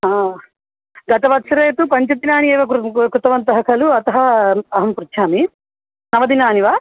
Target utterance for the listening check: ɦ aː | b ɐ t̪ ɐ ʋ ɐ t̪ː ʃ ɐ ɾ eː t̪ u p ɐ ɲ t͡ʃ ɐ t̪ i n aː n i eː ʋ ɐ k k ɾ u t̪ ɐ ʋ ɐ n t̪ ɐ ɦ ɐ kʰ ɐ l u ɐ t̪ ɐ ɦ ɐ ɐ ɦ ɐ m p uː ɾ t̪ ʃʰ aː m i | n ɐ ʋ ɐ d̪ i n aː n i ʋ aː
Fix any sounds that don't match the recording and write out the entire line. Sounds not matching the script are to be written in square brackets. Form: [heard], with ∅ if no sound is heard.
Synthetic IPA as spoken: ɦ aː | [ɡ] ɐ t̪ ɐ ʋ ɐ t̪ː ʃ ɐ ɾ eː t̪ u p ɐ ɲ t͡ʃ ɐ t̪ i n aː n i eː ʋ ɐ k k ɾ u t̪ ɐ ʋ ɐ n t̪ ɐ ɦ ɐ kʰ ɐ l u ɐ t̪ ɐ ɦ ɐ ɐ ɦ ɐ m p [u] ɾ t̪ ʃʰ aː m i | n ɐ ʋ ɐ d̪ i n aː n i ʋ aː